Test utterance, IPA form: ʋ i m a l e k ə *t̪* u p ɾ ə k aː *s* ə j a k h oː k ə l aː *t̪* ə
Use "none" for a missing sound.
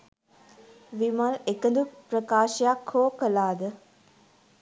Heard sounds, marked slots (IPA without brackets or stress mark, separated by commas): d̪, ʃ, d̪